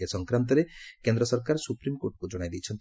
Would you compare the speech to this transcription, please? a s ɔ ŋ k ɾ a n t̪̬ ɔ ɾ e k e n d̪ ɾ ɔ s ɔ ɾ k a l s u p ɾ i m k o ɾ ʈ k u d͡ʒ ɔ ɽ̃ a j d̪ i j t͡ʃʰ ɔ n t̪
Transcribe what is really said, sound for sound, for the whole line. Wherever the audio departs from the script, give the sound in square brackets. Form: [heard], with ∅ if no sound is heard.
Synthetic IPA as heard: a s ɔ ŋ k ɾ a n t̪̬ ɔ ɾ e k e n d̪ ɾ ɔ s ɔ ɾ k a [ɾ] s u p ɾ i m k o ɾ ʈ k u d͡ʒ ɔ ɽ̃ a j d̪ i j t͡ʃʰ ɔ n t̪